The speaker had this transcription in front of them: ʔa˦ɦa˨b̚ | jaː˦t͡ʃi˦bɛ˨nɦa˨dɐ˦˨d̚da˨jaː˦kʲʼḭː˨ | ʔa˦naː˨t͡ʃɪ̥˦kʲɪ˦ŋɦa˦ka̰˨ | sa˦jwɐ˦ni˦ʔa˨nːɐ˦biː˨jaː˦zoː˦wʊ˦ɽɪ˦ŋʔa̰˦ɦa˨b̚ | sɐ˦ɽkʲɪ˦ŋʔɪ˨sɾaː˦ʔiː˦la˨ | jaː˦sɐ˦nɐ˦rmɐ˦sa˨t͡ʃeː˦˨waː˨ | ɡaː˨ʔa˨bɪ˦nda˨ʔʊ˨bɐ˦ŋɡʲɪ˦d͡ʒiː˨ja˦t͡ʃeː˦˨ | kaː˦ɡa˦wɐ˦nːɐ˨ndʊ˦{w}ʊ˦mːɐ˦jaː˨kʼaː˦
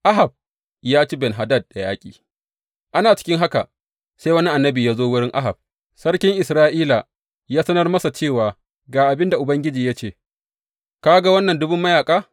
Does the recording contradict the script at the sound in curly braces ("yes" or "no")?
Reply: yes